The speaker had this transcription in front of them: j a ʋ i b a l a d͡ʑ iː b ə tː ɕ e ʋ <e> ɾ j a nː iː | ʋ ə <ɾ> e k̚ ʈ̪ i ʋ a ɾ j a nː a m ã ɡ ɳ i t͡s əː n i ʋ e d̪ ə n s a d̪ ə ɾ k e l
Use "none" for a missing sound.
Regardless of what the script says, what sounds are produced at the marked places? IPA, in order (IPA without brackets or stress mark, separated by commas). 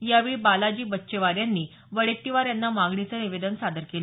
a, ɭ